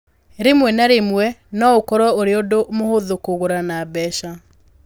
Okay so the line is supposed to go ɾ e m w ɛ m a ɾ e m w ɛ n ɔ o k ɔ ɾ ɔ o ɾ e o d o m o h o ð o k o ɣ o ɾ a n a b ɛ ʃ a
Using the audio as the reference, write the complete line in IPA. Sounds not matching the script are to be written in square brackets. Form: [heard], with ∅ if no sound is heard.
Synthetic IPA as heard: ɾ e m w ɛ [n] a ɾ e m w ɛ n ɔ o k ɔ ɾ ɔ o ɾ e o d o m o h o ð o k o ɣ o ɾ a n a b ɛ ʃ a